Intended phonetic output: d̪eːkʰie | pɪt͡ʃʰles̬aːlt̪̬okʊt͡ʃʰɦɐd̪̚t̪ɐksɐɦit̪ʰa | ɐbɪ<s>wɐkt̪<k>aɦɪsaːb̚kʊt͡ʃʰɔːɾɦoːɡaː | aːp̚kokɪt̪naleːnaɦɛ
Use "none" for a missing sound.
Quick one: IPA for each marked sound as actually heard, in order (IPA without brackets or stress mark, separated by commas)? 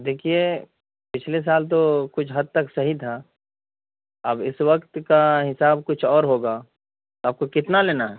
s, k